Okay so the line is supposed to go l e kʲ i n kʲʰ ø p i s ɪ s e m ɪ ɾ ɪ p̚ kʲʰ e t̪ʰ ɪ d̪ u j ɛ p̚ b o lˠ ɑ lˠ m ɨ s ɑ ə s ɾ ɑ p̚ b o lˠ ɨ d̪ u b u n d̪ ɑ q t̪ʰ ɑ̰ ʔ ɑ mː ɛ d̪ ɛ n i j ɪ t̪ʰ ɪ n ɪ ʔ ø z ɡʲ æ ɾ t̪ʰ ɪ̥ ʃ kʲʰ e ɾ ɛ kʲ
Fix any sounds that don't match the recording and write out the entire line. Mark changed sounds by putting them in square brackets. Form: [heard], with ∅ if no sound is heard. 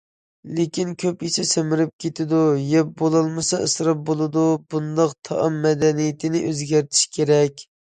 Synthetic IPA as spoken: l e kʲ i n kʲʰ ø p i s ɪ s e m ɪ ɾ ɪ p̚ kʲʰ e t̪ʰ ɪ d̪ u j ɛ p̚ b o lˠ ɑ lˠ m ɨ s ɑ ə s ɾ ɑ p̚ b o lˠ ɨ d̪ u b u n d̪ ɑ q t̪ʰ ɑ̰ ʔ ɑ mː ɛ d̪ ɛ n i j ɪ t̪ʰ ɪ n ɪ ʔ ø z ɡʲ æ ɾ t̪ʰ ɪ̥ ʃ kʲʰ e ɾ ɛ kʲ